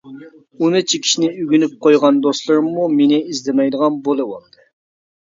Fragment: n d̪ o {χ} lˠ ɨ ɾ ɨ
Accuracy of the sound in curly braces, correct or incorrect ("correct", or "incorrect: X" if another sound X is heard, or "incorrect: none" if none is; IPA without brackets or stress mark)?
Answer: incorrect: s